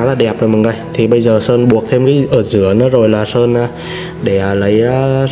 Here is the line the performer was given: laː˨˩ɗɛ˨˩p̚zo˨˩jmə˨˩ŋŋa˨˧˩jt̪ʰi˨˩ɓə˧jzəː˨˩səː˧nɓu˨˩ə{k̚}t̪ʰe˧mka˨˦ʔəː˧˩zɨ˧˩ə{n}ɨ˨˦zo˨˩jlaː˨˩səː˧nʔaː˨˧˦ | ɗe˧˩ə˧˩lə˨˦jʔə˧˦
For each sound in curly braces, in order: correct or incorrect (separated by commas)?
correct, correct